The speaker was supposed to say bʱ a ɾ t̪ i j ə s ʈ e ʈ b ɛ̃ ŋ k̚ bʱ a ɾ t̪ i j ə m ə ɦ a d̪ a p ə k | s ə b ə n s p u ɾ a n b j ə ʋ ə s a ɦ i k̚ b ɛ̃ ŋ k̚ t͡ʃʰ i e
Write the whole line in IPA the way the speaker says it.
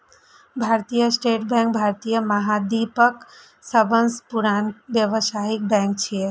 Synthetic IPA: bʱ a ɾ t̪ i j ə s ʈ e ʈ b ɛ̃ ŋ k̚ bʱ a ɾ t̪ i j ə m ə ɦ a d̪ i p ə k | s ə b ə n s p u ɾ a n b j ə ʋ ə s a ɦ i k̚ b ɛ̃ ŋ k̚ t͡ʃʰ i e